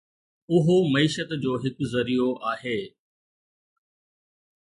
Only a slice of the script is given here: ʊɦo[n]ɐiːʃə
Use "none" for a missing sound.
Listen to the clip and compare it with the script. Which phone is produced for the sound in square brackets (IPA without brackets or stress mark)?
m